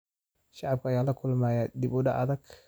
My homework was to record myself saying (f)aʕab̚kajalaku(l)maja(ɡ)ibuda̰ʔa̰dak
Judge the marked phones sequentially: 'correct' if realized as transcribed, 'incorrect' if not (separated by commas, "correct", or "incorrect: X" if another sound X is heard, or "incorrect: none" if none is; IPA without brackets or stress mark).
incorrect: ʃ, correct, incorrect: d